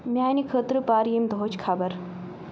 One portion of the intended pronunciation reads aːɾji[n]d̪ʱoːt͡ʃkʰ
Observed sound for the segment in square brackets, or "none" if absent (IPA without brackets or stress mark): m